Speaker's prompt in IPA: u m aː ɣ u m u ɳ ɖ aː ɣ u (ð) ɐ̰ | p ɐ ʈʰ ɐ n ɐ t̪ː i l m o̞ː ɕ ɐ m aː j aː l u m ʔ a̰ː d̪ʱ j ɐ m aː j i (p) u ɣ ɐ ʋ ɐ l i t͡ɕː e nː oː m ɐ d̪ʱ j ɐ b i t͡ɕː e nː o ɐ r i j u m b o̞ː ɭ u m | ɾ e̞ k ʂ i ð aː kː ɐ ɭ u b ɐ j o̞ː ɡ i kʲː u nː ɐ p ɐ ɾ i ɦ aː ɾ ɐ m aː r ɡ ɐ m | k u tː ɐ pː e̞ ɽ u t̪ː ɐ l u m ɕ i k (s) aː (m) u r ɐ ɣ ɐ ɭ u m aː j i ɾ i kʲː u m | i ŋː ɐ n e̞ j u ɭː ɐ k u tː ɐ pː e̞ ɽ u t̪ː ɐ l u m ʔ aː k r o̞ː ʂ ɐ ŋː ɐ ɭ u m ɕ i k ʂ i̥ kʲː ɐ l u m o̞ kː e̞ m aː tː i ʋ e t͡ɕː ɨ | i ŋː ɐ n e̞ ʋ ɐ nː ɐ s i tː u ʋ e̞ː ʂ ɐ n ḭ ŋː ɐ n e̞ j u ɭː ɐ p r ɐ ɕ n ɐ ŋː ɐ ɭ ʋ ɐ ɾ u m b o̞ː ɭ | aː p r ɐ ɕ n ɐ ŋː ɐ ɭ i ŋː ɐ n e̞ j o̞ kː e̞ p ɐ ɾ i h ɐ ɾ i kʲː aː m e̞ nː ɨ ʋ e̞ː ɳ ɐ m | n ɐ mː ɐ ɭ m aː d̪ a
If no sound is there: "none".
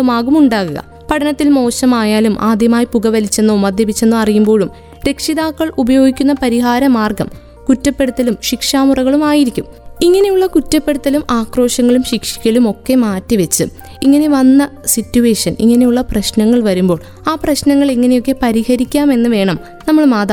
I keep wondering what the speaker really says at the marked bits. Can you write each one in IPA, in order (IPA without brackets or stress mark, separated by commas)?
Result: ɣ, p, ʂ, m